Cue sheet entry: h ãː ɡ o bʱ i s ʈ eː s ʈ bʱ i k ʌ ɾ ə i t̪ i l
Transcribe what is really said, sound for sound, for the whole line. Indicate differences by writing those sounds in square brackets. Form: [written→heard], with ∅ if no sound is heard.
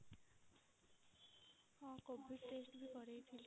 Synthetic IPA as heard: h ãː [ɡ→k] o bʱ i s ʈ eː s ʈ bʱ i k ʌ ɾ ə i [t̪→t̪ʰ] i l